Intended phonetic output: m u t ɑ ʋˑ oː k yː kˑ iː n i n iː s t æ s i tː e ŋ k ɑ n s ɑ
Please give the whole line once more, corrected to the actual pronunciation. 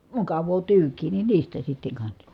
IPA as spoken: m u k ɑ ʋˑ oː t yː kˑ iː n i n iː s t æ s i tː e ŋ k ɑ n s ɑ